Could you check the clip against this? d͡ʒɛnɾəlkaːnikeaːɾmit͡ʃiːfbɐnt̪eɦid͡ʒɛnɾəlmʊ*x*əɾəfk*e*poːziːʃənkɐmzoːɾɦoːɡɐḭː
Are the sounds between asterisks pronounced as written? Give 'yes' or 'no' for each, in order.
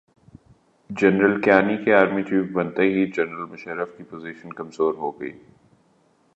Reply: no, no

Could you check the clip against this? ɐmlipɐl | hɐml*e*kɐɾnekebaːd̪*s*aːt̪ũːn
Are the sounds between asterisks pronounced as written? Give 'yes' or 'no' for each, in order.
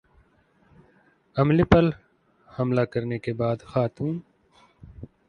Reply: no, no

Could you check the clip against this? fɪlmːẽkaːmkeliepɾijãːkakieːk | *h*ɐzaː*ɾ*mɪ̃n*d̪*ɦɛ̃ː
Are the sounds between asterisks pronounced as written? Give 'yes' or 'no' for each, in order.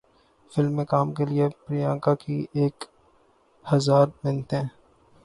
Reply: yes, yes, no

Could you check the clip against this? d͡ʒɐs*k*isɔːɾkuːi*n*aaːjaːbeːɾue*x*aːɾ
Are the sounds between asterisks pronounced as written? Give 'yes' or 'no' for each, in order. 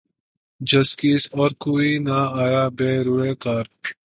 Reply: yes, yes, no

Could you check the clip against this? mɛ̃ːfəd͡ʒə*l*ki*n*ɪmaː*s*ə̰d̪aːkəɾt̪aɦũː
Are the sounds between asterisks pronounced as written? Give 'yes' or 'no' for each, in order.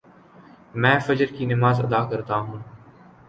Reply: no, yes, no

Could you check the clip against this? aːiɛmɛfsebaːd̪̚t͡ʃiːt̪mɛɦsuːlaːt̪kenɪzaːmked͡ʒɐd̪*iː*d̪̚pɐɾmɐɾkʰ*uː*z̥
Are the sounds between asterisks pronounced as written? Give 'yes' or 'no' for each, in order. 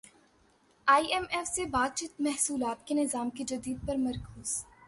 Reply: yes, yes

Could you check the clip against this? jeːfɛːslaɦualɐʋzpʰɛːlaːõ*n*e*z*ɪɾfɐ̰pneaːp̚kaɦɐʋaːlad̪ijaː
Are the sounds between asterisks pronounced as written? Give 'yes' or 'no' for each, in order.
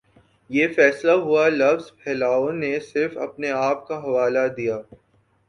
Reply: yes, no

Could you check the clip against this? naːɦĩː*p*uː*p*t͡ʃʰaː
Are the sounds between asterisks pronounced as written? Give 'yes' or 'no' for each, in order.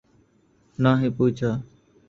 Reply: yes, no

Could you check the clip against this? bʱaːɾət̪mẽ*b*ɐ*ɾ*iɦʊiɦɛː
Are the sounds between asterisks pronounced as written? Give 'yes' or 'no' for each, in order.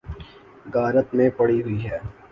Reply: no, no

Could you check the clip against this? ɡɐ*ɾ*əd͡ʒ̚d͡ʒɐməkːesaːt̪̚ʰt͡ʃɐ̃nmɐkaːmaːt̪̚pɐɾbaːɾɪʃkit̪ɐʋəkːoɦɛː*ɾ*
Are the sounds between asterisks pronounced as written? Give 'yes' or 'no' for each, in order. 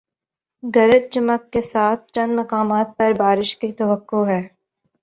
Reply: yes, no

